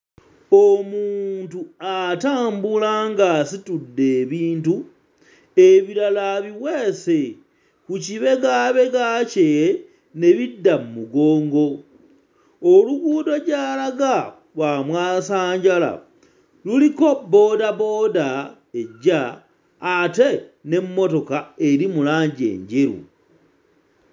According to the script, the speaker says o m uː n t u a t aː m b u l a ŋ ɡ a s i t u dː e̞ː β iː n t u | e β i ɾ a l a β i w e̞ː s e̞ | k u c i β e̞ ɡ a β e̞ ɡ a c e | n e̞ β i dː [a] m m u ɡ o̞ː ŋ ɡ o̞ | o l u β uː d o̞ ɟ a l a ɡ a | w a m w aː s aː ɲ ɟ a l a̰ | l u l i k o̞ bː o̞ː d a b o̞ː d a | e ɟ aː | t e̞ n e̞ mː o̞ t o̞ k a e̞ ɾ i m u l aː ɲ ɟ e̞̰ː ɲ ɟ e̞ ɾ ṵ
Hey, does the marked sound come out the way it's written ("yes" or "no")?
yes